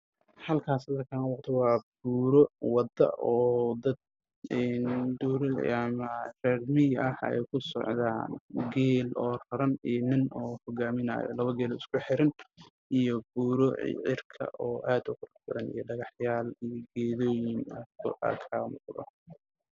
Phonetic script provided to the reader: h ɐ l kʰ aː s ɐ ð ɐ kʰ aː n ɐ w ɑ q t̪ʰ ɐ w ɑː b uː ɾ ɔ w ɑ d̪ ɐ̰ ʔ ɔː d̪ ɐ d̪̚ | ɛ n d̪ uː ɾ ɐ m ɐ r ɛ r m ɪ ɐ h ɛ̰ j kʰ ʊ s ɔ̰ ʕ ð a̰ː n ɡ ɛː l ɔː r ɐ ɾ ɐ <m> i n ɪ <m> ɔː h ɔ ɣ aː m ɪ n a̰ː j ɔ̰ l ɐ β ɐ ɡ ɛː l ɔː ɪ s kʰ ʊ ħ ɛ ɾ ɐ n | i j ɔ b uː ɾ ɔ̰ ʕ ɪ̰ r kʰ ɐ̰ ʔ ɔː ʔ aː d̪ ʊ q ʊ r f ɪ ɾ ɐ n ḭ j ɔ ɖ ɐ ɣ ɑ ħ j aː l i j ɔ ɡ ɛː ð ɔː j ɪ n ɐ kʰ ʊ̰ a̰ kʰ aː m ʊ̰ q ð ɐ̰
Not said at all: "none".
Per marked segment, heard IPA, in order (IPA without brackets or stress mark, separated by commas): n, n